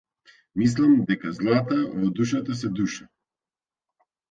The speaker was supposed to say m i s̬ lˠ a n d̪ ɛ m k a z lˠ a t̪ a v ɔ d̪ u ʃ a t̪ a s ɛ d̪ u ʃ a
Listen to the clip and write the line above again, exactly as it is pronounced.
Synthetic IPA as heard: m i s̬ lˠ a m d̪ ɛ k a z lˠ a t̪ a v ɔ d̪ u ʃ a t̪ a s ɛ d̪ u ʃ a

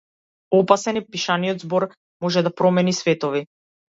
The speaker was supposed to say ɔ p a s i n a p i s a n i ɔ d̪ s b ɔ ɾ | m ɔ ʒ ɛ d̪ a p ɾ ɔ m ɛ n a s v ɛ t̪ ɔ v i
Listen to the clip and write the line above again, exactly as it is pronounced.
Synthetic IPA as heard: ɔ p a s ɛ n i p i ʃ a n i ɔ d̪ z b ɔ ɾ | m ɔ ʒ ɛ d̪ a p ɾ ɔ m ɛ n i s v ɛ t̪ ɔ v i

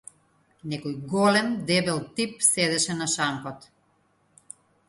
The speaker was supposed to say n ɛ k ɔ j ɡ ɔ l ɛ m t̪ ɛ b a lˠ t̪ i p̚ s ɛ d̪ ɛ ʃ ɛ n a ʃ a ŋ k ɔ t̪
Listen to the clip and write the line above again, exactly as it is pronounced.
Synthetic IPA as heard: n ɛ k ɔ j ɡ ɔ l ɛ m d̪ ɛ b ɛ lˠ t̪ i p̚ s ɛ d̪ ɛ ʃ ɛ n a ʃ a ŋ k ɔ t̪

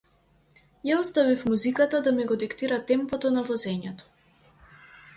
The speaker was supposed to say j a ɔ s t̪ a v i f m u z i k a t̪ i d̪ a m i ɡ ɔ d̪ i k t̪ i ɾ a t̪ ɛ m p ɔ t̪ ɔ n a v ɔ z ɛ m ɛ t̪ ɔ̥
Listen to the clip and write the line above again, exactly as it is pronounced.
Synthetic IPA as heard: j a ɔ s t̪ a v i f m u z i k a t̪ a d̪ a m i ɡ ɔ d̪ i k t̪ i ɾ a t̪ ɛ m p ɔ t̪ ɔ n a v ɔ z ɛ ɲ ɛ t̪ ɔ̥

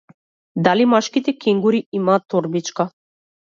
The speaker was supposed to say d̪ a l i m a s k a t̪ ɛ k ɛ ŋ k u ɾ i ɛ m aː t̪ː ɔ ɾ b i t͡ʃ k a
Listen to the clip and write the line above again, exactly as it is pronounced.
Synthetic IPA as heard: d̪ a l i m a ʃ k i t̪ ɛ k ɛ ŋ ɡ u ɾ i i m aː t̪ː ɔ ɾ b i t͡ʃ k a

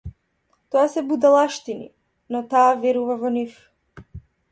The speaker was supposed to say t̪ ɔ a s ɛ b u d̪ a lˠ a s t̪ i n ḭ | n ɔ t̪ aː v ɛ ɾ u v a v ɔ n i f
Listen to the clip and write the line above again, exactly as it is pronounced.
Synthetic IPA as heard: t̪ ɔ a s ɛ b u d̪ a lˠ a ʃ t̪ i n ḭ | n ɔ t̪ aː v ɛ ɾ u v a v ɔ n i f

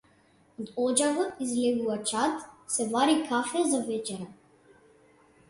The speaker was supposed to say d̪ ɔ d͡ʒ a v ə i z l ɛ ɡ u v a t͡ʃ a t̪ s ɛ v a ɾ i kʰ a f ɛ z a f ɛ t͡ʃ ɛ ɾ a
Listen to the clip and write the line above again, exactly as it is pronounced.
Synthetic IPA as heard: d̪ ɔ d͡ʒ a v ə i z l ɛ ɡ u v a t͡ʃ a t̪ s ɛ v a ɾ i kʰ a f ɛ z a v ɛ t͡ʃ ɛ ɾ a

